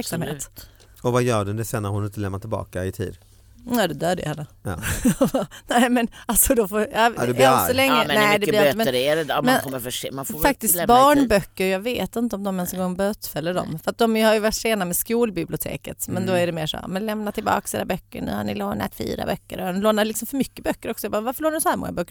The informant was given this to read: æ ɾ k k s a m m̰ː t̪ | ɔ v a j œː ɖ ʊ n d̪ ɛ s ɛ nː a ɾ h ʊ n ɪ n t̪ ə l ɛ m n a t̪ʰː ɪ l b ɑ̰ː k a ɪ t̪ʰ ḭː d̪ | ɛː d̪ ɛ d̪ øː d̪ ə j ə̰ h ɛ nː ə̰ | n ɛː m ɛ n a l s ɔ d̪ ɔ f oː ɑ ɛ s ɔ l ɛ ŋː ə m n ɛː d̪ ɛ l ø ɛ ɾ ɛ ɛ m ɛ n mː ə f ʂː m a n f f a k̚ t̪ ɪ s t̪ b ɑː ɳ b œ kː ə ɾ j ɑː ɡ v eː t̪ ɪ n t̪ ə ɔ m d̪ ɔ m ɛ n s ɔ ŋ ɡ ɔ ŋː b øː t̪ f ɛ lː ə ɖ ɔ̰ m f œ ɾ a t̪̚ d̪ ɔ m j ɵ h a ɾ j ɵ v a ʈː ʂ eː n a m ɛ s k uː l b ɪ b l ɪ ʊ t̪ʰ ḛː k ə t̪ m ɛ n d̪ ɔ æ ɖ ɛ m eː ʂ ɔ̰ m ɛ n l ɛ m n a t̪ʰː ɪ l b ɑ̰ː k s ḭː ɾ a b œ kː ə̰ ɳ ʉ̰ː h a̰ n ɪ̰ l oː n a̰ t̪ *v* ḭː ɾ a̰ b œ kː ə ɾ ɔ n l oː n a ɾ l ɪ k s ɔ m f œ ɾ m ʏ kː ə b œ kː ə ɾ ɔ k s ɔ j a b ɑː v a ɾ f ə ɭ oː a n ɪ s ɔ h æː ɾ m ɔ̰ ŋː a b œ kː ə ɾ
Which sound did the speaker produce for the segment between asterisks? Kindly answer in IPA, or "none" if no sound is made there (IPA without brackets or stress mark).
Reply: f